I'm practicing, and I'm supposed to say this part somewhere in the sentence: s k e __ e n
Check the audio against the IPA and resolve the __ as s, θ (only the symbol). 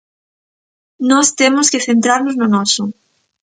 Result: θ